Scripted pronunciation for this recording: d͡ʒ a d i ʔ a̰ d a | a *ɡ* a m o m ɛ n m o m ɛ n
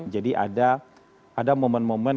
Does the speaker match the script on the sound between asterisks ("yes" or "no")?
no